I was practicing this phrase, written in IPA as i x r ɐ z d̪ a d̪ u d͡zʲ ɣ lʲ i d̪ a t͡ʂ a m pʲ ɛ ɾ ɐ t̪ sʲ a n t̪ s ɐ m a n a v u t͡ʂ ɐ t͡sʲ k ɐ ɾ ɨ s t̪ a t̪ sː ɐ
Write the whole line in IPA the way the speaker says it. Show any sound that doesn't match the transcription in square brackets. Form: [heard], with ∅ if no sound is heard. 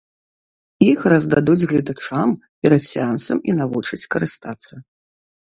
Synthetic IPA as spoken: i x r ɐ z d̪ a d̪ u d͡zʲ ɣ lʲ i d̪ a t͡ʂ a m pʲ ɛ ɾ ɐ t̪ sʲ a n t̪ s ɐ m [i] n a v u t͡ʂ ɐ t͡sʲ k ɐ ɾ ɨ s t̪ a t̪ sː ɐ